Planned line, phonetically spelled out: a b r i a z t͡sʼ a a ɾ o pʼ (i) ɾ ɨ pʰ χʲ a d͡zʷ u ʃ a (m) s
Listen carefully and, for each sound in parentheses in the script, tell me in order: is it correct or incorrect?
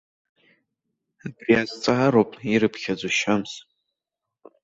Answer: correct, correct

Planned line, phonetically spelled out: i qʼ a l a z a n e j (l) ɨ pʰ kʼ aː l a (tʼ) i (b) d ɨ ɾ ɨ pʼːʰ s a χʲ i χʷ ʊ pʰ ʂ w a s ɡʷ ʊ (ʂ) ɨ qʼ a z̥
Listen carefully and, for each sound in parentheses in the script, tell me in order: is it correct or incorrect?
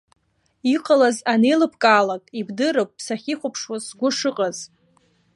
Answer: correct, incorrect: kʼ, correct, correct

